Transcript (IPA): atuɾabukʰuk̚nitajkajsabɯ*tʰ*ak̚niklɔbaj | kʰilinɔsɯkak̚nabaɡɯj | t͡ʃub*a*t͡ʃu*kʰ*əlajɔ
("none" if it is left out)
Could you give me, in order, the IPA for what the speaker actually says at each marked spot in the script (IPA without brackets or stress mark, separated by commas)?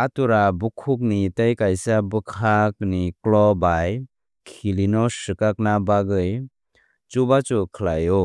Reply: kʰ, a, kʰ